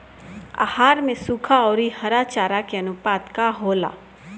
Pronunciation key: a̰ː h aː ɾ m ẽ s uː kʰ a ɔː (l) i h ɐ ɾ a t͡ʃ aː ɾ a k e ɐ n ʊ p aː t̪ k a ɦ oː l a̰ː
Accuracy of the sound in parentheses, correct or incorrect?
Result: incorrect